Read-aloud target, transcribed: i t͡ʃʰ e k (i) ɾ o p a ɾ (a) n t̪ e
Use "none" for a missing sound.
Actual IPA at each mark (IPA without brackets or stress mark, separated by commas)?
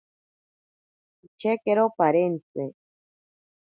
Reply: e, e